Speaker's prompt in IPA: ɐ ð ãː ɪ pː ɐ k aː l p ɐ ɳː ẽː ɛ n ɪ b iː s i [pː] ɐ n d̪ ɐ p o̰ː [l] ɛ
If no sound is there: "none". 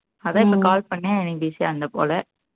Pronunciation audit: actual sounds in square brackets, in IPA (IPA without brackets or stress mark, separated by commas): none, l